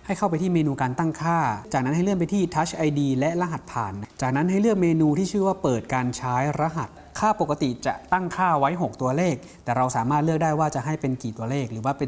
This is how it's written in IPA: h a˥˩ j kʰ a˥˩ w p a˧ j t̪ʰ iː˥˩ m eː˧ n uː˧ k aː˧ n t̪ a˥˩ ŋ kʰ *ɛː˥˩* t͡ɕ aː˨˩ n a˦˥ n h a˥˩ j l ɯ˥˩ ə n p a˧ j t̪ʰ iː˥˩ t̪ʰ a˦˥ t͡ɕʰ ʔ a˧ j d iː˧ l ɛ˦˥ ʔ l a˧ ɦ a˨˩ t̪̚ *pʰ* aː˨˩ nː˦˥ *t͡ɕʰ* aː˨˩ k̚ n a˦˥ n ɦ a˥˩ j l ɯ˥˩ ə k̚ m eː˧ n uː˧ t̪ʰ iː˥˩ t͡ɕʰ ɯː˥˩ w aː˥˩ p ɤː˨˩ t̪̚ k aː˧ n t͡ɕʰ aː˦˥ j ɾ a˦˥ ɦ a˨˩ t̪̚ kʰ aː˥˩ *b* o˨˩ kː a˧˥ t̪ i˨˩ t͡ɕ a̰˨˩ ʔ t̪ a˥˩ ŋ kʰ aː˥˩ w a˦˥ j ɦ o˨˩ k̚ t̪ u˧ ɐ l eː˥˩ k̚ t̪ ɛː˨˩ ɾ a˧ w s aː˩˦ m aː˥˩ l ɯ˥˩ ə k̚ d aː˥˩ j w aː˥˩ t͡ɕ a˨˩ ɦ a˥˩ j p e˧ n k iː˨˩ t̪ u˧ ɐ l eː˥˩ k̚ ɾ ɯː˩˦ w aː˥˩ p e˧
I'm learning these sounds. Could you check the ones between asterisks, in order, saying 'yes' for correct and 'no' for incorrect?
no, yes, no, no

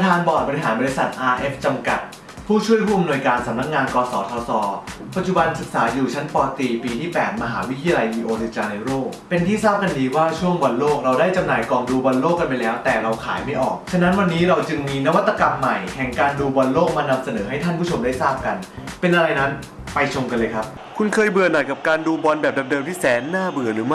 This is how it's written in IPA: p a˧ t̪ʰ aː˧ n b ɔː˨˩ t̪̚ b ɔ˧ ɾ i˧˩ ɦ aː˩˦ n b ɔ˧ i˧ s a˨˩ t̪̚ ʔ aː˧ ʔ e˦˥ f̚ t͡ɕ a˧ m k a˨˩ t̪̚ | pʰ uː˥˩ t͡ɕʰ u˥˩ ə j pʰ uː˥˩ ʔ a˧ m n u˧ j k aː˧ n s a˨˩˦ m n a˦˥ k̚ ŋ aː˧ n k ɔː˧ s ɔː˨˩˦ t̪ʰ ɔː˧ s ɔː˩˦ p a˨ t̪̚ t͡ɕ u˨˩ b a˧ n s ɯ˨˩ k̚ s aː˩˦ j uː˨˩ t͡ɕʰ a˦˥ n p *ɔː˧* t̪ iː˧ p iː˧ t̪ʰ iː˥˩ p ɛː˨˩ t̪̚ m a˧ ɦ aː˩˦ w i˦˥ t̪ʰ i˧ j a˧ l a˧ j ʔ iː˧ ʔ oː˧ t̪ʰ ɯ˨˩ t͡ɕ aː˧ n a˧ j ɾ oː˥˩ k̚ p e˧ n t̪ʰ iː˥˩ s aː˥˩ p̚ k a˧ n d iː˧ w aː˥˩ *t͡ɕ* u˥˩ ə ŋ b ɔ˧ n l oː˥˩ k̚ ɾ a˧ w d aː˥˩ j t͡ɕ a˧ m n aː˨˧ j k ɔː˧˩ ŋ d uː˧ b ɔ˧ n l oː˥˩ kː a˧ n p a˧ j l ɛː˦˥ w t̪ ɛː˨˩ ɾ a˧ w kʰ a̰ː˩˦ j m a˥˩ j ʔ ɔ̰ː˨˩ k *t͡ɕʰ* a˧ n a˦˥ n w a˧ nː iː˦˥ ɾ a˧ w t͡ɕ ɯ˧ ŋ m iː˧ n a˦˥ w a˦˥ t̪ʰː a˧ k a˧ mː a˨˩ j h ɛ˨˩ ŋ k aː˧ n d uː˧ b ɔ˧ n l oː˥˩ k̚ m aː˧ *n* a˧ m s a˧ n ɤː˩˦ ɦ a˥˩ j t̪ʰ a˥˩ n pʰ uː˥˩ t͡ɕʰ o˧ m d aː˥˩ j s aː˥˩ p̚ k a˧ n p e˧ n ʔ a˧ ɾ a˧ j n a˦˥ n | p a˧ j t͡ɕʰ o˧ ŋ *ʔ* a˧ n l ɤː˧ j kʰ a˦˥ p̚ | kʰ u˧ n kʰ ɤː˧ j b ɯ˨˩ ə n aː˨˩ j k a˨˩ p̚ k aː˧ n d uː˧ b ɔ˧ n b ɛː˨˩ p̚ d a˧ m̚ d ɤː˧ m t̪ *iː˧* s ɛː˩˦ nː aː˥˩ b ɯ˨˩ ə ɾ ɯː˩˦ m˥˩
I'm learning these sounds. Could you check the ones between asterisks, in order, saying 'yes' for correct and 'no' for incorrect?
yes, no, yes, yes, no, no

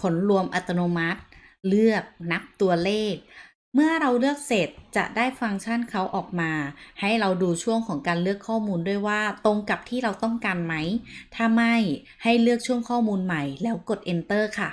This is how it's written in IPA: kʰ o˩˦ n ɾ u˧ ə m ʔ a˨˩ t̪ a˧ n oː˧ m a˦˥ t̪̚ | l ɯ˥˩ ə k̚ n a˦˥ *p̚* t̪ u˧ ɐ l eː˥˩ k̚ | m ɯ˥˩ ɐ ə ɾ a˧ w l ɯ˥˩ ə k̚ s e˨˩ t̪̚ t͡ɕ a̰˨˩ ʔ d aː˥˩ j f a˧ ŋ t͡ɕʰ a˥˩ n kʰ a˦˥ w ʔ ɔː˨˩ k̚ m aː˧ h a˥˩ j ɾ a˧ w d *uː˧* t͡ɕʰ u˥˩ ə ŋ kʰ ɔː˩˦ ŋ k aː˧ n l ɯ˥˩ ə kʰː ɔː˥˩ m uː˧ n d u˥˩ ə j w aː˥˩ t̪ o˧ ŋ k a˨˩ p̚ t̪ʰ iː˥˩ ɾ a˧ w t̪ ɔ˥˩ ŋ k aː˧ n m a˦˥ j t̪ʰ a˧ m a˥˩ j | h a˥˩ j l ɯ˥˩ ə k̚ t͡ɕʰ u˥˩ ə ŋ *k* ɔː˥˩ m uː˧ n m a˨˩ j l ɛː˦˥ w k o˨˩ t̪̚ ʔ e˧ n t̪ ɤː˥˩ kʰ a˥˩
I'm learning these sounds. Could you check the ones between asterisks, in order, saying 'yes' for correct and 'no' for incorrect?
yes, yes, no

